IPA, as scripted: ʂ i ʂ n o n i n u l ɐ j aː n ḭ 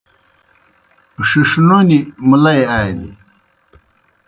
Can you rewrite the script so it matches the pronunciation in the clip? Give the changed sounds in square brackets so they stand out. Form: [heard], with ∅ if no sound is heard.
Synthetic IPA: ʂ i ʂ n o n i [m] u l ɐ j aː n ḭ

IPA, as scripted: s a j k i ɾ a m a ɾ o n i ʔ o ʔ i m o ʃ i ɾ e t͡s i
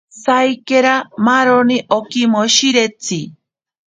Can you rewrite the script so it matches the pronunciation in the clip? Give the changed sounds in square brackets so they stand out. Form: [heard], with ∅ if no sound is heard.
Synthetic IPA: s a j k [e] ɾ a m a ɾ o n i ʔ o [k] i m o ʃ i ɾ e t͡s i

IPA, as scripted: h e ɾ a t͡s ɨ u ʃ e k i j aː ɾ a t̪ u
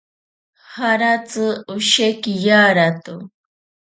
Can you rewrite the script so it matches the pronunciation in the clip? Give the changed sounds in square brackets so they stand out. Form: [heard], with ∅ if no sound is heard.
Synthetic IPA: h [a] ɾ a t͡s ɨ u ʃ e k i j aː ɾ a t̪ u

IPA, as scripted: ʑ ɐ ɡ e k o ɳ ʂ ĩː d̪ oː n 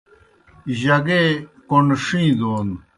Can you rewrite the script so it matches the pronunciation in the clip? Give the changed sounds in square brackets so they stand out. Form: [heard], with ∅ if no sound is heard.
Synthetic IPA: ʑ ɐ ɡ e k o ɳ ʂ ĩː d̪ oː n

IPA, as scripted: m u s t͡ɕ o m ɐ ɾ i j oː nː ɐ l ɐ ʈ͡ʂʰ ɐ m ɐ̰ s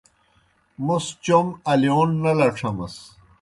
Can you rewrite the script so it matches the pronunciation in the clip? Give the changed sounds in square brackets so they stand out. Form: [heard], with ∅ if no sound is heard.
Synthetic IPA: m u s t͡ɕ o m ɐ [l] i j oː nː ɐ l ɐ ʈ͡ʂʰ ɐ m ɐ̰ s

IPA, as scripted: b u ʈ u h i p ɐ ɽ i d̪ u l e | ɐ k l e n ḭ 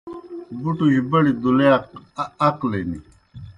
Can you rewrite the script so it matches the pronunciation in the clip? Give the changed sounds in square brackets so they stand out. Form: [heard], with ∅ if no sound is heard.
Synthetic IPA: b u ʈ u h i [b] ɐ ɽ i d̪ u l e | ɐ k l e n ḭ

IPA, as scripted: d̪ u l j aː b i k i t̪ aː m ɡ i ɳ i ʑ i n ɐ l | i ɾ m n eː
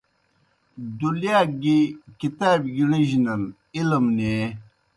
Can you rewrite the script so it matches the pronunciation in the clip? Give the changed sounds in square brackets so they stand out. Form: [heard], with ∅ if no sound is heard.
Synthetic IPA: d̪ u l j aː [ɡ] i k i t̪ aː [b] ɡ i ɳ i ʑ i n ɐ l | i [l] m n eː

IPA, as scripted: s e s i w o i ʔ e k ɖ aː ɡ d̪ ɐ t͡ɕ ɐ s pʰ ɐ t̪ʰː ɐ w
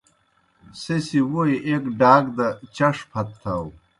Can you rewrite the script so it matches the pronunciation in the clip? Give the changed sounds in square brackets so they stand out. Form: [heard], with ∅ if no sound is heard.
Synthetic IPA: s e s i w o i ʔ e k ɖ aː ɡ d̪ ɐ t͡ɕ ɐ [ʂ] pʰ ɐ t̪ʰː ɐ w

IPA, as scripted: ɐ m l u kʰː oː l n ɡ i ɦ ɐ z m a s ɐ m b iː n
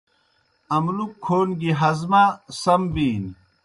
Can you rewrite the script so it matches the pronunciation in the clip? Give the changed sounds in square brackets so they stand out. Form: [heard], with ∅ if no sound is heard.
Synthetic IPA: ɐ m l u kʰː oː [∅] n ɡ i ɦ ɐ z m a s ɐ m b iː n

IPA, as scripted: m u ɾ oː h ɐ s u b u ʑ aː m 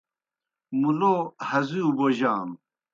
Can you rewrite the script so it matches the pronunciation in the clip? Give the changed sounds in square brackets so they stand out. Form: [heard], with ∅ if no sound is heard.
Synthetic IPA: m u [l] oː h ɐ [z] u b [o] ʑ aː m

